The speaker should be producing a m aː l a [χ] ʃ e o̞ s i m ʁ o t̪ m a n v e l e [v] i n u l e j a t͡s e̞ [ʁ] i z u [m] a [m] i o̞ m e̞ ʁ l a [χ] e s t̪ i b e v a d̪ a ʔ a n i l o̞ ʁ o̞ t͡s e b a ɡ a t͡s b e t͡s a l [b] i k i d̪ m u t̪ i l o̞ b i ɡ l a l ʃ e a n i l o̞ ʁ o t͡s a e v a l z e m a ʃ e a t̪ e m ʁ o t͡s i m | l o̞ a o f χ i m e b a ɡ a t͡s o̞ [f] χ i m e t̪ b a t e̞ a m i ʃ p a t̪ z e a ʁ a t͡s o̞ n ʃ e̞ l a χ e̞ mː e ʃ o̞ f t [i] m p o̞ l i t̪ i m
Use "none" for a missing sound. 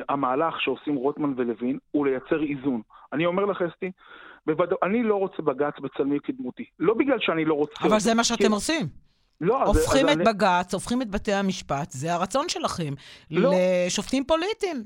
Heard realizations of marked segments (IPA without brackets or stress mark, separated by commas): χ, v, ʁ, n, n, χ, m, f, i